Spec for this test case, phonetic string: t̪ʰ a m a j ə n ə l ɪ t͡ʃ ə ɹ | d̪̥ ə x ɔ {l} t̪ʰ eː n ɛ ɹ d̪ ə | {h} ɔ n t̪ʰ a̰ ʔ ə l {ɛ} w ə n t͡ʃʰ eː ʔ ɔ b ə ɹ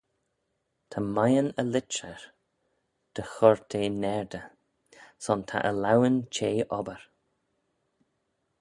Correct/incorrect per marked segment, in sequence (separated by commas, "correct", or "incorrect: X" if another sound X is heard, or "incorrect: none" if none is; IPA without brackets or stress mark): incorrect: ɹ, incorrect: s, incorrect: a